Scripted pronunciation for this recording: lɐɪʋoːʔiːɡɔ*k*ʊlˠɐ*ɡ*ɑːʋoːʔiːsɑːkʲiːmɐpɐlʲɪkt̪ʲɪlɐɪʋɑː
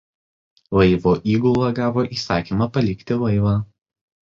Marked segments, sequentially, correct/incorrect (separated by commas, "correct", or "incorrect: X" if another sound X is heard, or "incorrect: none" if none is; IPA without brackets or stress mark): incorrect: none, correct